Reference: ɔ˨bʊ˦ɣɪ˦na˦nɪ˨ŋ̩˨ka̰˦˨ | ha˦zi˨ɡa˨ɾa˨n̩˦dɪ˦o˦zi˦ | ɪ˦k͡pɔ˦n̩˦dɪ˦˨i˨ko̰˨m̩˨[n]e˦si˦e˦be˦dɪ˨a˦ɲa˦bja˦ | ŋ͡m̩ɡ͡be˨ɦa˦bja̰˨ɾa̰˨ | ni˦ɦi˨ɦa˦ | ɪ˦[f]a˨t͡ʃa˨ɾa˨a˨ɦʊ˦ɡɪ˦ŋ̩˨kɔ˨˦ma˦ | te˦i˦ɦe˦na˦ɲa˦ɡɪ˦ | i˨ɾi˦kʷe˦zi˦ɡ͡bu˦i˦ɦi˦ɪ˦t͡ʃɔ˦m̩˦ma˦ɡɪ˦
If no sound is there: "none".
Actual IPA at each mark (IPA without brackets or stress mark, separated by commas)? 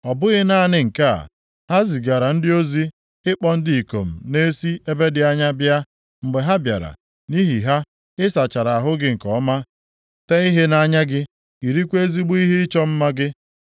n, s